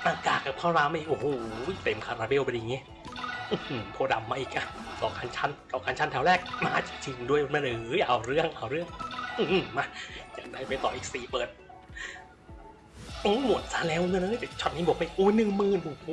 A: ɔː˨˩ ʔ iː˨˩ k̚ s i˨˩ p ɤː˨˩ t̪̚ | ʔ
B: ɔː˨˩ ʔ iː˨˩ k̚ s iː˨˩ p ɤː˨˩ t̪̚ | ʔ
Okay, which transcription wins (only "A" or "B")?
B